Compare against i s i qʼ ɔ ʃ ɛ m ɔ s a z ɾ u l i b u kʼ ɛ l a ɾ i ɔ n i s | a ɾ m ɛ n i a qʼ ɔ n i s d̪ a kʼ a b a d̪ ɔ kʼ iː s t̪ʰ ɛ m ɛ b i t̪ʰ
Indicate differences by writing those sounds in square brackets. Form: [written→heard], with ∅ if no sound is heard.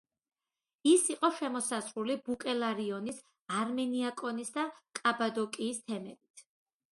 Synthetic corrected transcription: i s i qʼ ɔ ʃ ɛ m ɔ s a z ɾ u l i b u kʼ ɛ l a ɾ i ɔ n i s | a ɾ m ɛ n i a [qʼ→kʼ] ɔ n i s d̪ a kʼ a b a d̪ ɔ kʼ iː s t̪ʰ ɛ m ɛ b i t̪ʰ